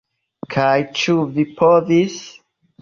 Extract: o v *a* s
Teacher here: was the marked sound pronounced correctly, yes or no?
no